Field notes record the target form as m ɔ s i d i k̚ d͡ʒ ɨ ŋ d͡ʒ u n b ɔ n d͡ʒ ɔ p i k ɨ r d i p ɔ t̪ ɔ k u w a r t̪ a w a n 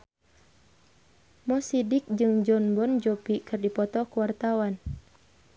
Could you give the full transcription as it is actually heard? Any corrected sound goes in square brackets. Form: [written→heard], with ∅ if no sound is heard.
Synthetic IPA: m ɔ s i d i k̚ d͡ʒ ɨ ŋ d͡ʒ [u→ɔ] n b ɔ n d͡ʒ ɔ p i k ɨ r d i p ɔ t̪ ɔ k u w a r t̪ a w a n